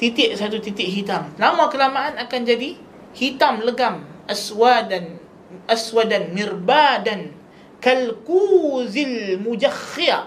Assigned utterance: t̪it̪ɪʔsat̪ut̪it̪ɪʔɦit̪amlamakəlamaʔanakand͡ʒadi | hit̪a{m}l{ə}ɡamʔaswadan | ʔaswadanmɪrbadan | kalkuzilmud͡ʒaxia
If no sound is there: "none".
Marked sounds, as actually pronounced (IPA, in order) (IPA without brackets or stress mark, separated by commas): m, ə